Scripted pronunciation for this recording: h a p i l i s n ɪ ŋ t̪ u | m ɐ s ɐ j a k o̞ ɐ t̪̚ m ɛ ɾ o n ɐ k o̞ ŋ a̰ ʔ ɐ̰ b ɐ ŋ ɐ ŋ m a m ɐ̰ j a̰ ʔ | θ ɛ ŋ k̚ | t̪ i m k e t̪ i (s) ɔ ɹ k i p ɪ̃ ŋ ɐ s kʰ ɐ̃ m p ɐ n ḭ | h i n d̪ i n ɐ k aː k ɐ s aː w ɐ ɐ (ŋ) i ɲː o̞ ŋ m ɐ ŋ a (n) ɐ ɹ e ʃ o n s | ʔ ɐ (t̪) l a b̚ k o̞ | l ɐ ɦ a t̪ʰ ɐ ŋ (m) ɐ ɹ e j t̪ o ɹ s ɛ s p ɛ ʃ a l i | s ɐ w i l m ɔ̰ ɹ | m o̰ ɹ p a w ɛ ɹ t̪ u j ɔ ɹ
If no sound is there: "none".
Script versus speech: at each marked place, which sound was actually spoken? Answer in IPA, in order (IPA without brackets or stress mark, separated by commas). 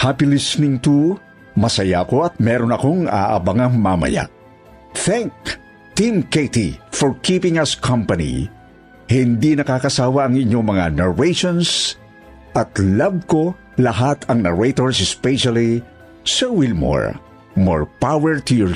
f, ŋ, n, t̪, n